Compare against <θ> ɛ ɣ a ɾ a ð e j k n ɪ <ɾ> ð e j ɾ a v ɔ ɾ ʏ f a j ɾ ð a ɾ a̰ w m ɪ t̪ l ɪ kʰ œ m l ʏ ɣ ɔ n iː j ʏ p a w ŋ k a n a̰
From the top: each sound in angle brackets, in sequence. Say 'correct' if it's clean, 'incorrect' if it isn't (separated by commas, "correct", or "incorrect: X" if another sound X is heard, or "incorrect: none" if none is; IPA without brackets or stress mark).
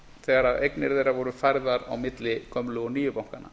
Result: correct, correct